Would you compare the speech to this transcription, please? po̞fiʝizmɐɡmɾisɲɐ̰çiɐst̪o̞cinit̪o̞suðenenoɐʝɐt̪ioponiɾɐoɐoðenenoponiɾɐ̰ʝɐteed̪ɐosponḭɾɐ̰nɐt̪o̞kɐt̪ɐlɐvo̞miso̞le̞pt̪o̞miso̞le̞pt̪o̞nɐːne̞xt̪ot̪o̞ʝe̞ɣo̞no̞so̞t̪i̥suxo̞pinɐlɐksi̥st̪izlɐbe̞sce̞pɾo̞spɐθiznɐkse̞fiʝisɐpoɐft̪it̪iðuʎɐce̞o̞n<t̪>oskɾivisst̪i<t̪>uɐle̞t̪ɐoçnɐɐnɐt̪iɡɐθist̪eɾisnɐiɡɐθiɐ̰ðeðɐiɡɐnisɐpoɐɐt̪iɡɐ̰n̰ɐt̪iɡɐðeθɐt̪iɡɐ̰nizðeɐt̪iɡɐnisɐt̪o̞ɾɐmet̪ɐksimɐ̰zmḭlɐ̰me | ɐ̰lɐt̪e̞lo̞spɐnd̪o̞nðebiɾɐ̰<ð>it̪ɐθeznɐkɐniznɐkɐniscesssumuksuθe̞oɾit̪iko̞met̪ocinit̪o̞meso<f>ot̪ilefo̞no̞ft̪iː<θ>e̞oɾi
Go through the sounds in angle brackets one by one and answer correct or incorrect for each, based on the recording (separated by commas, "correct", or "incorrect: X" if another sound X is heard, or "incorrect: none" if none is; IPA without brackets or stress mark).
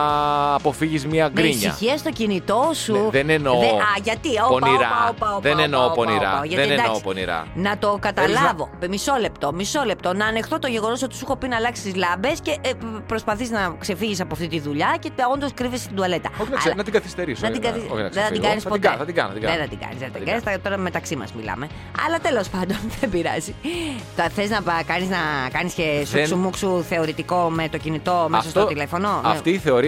incorrect: d̪, incorrect: d̪, incorrect: z, incorrect: s, correct